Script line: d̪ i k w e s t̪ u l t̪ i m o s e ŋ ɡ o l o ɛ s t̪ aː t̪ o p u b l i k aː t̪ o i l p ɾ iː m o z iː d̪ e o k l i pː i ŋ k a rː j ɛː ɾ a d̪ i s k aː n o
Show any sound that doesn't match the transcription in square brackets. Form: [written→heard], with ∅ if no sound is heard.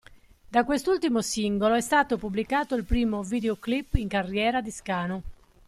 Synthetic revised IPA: d̪ [i→a] k w e s t̪ u l t̪ i m o s [e→i] ŋ ɡ o l o ɛ s t̪ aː t̪ o p u b l i k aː t̪ o i l p ɾ iː m o [z→v] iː d̪ e o k l i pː i ŋ k a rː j ɛː ɾ a d̪ i s k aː n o